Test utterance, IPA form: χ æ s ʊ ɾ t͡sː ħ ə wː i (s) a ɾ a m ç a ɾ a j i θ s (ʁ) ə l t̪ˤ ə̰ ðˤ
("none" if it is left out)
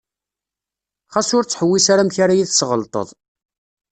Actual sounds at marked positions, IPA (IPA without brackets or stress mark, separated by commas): s, ʁ